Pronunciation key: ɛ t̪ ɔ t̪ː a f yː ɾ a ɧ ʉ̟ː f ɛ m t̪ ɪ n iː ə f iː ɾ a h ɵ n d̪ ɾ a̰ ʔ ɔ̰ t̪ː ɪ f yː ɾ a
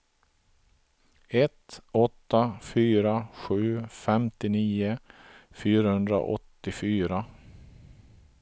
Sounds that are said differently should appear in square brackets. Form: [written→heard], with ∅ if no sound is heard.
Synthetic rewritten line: ɛ t̪ ɔ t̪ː a f yː ɾ a ɧ ʉ̟ː f ɛ m t̪ ɪ n iː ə f [iː→yː] ɾ a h ɵ n d̪ ɾ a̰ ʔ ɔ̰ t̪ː ɪ f yː ɾ a